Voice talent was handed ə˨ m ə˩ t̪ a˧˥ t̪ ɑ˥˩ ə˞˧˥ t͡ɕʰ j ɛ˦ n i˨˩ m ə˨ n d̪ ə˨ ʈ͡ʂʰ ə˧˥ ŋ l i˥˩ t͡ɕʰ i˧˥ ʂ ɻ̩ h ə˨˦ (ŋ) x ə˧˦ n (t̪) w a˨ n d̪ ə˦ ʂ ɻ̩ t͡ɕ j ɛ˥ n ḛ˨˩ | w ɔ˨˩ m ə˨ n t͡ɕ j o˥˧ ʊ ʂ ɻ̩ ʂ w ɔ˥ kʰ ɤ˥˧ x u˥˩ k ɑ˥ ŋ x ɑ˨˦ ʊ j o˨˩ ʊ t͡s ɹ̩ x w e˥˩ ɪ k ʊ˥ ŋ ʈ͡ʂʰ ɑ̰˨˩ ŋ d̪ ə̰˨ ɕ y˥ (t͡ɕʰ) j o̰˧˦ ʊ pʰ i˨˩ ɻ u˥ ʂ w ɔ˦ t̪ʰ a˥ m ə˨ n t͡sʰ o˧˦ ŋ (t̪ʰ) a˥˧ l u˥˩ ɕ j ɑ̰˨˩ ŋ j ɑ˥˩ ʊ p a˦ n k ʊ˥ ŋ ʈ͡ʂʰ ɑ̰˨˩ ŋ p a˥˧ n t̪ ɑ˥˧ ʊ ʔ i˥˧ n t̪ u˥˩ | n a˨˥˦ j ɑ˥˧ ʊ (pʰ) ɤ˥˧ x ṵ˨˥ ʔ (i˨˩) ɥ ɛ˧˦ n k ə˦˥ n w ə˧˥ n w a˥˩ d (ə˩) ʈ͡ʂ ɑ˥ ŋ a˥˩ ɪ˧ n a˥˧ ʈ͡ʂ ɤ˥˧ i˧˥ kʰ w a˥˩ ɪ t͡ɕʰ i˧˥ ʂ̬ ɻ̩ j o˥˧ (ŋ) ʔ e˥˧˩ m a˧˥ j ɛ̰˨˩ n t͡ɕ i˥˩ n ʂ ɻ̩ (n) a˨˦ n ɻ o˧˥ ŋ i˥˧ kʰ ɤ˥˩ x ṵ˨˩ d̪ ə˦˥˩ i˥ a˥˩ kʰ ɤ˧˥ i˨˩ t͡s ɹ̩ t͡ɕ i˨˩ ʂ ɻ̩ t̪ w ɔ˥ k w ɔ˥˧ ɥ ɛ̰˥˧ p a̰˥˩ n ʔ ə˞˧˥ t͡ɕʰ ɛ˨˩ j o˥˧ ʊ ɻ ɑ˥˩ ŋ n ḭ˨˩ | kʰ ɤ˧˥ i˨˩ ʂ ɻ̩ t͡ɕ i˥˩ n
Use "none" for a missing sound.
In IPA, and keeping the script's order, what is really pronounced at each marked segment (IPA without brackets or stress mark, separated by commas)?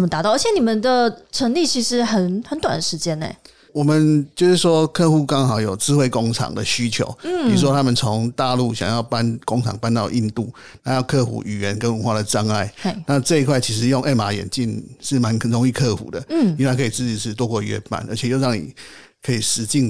n, t̪, t͡ɕʰ, t̪, kʰ, y˨˩, ə˩, ŋ, m